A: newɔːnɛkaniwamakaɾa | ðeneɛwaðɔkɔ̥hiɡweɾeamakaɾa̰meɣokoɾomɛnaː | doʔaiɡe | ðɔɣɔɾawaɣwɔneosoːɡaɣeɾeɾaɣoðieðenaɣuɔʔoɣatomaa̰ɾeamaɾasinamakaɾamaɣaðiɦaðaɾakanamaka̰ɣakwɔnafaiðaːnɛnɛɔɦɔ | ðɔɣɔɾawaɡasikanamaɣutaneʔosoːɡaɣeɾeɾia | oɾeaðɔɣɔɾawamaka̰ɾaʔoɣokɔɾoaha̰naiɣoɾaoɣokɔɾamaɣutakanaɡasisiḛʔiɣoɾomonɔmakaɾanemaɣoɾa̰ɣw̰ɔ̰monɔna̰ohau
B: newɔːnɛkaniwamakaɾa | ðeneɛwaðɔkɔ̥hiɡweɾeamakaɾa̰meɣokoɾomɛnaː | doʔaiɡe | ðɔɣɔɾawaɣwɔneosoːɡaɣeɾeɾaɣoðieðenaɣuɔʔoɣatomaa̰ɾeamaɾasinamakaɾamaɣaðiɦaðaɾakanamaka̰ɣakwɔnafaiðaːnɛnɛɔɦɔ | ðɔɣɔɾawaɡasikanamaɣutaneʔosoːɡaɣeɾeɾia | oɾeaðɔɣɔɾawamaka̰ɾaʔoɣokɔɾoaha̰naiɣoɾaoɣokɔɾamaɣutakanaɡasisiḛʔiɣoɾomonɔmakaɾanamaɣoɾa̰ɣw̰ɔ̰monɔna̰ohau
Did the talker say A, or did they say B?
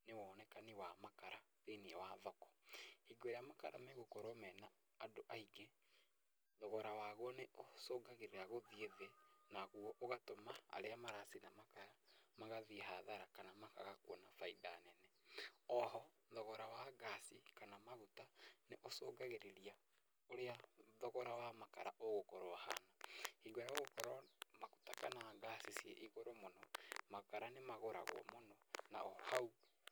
A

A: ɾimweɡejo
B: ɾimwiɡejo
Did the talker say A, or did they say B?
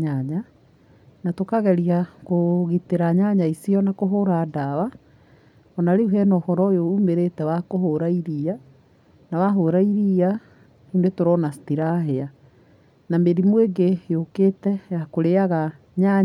A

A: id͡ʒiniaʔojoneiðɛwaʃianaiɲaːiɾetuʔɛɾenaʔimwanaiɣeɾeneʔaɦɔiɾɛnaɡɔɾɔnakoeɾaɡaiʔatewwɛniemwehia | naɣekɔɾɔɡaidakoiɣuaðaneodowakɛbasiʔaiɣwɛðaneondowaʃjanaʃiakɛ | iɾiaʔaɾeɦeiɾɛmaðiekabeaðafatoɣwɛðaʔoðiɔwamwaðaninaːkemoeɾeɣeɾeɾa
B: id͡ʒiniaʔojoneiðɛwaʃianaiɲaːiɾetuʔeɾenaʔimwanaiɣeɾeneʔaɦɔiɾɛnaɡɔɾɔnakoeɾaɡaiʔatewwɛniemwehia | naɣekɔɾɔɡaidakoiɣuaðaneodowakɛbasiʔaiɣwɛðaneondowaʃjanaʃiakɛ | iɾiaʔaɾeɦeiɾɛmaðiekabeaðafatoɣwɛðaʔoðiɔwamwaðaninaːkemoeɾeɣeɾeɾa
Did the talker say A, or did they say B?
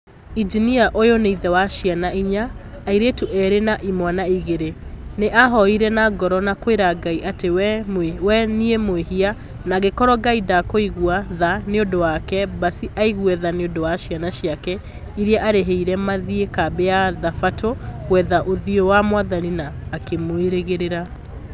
A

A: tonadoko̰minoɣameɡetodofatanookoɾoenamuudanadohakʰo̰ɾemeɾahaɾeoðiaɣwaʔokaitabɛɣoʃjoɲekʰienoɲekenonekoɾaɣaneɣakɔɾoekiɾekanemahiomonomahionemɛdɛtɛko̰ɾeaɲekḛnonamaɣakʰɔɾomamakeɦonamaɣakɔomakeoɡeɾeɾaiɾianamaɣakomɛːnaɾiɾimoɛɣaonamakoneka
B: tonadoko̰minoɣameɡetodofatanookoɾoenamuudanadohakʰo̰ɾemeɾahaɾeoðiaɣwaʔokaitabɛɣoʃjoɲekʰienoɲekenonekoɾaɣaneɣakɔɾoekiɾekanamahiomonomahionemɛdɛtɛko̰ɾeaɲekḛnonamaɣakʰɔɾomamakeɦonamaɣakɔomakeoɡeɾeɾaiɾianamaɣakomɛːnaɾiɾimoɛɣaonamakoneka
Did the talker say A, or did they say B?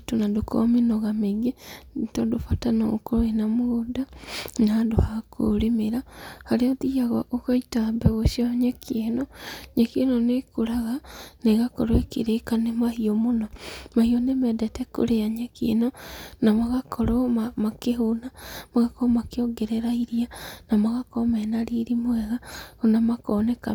A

